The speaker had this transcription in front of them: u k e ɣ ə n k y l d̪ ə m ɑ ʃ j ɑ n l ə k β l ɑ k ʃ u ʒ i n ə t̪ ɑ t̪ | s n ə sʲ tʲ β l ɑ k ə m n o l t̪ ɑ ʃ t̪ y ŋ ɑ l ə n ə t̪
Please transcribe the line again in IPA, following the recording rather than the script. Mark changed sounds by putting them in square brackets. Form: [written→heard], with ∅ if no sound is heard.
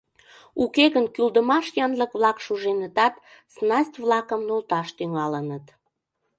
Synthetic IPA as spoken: u k e ɣ ə n k y l d̪ ə m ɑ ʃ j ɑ n l ə k β l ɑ k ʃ u ʒ [i→e] n ə t̪ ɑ t̪ | s n [ə→ɑ] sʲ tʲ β l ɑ k ə m n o l t̪ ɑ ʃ t̪ y ŋ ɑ l ə n ə t̪